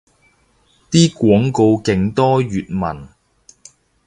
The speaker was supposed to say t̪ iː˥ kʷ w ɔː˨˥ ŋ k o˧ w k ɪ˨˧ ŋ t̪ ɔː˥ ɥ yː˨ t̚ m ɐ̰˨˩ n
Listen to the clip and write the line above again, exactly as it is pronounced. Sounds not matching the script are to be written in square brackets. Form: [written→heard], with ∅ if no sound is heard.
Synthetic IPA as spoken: t̪ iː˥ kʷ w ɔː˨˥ ŋ k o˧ w k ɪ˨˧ ŋ t̪ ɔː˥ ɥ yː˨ t̚ m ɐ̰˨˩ n